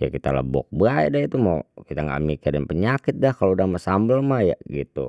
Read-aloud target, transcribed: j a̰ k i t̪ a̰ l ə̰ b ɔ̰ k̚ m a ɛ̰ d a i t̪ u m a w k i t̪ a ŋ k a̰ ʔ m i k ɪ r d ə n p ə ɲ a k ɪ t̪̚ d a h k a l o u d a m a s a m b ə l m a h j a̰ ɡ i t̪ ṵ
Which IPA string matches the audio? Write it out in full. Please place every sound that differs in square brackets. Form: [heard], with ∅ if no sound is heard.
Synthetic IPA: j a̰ k i t̪ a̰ l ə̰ b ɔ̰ k̚ [b] a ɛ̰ d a i t̪ u m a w k i t̪ a ŋ [ɡ] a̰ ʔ m i k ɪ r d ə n p ə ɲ a k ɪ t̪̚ d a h k a l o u d a m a s a m b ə l m a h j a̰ ɡ i t̪ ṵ